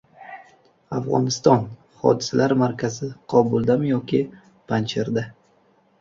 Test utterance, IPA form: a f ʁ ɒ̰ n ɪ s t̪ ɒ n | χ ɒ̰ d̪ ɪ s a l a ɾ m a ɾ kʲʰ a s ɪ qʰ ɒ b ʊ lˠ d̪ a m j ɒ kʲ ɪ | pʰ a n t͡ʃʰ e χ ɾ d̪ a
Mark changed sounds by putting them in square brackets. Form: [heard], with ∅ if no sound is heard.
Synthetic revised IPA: a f ʁ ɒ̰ n ɪ s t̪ ɒ n | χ ɒ̰ d̪ ɪ s a l a ɾ m a ɾ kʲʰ a [z] ɪ qʰ ɒ b ʊ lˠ d̪ a m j ɒ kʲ ɪ | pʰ a n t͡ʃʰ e [∅] ɾ d̪ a

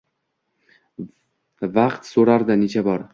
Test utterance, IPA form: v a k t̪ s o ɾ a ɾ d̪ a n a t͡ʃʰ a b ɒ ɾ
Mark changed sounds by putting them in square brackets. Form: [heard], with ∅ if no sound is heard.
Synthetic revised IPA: v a [q] t̪ s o ɾ a ɾ d̪ a n [e] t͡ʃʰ a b ɒ ɾ

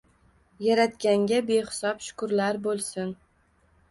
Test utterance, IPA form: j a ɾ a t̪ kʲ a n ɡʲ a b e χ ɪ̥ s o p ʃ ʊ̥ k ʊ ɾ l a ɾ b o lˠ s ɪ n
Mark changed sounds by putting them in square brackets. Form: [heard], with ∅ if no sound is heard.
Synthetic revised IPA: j a ɾ a t̪ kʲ a [ŋ] ɡʲ a b e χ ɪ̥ s [ɒ] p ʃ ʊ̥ k ʊ ɾ l a ɾ b o lˠ s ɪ n

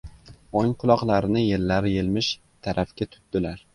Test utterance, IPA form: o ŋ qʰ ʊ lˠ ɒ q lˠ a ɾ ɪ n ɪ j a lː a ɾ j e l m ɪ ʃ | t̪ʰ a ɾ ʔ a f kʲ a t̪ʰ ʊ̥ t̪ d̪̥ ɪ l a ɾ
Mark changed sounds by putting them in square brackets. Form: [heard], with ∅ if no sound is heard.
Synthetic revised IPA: o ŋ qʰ ʊ lˠ ɒ q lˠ a ɾ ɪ n ɪ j [e] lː a ɾ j e l m ɪ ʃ | t̪ʰ a ɾ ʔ a f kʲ a t̪ʰ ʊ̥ t̪ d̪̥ ɪ l a ɾ

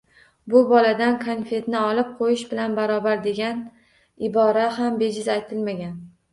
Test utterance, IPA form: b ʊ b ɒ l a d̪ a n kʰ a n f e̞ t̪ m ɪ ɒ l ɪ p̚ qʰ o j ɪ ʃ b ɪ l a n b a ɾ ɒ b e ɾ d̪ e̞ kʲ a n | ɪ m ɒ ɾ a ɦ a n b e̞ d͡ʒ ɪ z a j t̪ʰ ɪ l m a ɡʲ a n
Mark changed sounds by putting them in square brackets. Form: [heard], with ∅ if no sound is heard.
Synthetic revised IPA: b ʊ b ɒ l a d̪ a n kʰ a n f e̞ t̪ [n] ɪ ɒ l ɪ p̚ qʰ o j ɪ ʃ b ɪ l a n b a ɾ ɒ b [a] ɾ d̪ e̞ [ɡʲ] a n | ɪ [b] ɒ ɾ a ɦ a [m] b e̞ d͡ʒ ɪ z a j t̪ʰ ɪ l m a ɡʲ a n

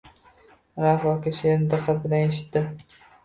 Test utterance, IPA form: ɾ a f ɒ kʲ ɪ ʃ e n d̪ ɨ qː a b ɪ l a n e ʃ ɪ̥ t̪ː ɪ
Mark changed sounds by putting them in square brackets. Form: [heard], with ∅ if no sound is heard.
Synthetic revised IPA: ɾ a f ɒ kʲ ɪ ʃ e n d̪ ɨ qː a b ɪ l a n e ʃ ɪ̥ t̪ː ɪ

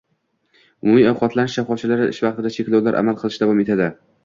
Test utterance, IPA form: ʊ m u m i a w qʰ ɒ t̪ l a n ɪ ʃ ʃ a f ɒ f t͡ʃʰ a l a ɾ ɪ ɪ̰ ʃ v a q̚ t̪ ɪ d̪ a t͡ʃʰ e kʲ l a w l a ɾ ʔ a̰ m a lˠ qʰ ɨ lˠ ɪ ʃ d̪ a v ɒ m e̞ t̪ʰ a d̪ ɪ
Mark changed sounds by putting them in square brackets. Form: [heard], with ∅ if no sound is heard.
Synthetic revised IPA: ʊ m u m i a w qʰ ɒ t̪ l a n ɪ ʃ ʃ a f ɒ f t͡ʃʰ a l a ɾ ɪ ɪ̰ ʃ v [ɑ] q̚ t̪ ɪ d̪ a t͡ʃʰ e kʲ l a w l a ɾ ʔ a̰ m a lˠ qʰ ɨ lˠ ɪ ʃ d̪ a v ɒ m e̞ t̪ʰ a d̪ ɪ

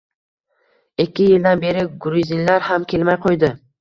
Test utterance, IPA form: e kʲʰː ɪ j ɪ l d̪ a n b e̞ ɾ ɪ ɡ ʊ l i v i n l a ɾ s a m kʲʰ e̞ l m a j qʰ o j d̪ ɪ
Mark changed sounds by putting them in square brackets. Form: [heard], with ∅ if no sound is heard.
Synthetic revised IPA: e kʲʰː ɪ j ɪ l d̪ a n b e̞ ɾ ɪ ɡ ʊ [ɾ] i [z] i n l a ɾ [h] a m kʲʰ e̞ l m a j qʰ o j d̪ ɪ

